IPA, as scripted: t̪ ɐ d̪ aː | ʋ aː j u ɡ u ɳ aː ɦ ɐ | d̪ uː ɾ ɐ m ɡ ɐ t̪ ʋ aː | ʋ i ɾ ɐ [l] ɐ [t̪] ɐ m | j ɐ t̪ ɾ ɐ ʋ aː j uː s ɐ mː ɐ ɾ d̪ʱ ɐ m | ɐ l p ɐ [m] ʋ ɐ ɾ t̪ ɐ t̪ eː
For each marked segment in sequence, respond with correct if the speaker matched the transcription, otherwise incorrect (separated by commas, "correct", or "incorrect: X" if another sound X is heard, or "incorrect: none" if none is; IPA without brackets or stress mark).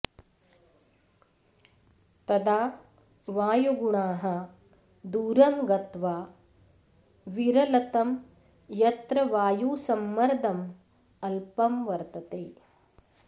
correct, correct, correct